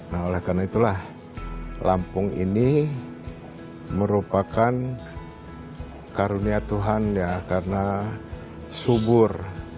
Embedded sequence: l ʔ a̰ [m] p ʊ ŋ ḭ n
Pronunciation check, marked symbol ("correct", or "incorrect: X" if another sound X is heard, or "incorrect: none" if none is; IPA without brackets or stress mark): correct